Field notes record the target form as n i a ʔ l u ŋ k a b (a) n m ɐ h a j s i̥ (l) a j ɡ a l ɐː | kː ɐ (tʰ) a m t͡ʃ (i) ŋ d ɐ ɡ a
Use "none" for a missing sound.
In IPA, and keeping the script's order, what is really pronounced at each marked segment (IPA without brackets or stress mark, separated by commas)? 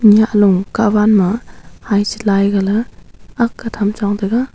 a, l, tʰ, a